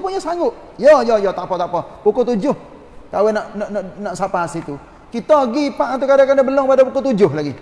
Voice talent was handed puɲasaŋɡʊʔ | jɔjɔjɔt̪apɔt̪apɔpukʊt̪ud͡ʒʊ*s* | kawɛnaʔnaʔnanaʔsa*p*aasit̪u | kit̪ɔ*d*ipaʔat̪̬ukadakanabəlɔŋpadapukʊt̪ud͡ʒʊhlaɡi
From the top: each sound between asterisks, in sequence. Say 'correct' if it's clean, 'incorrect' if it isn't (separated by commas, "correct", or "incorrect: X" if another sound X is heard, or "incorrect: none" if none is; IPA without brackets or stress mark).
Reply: incorrect: h, correct, incorrect: ɡ